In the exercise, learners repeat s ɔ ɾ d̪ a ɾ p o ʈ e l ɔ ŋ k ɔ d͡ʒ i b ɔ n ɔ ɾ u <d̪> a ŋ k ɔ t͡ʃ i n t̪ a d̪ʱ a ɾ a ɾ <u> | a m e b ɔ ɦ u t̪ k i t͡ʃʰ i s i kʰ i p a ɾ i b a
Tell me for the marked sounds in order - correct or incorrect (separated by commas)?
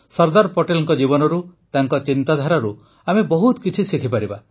incorrect, correct